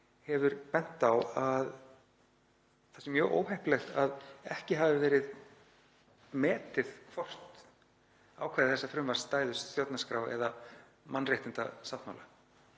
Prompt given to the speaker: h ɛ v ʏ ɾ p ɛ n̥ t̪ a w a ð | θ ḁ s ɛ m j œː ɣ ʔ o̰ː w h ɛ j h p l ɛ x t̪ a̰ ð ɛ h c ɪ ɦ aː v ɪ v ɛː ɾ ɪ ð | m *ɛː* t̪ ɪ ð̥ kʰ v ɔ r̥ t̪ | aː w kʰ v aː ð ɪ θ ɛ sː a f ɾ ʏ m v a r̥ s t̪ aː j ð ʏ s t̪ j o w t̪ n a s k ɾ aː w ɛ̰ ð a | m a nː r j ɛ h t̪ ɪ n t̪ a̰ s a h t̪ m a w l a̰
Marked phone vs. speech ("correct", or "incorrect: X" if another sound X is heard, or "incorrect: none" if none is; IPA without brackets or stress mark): correct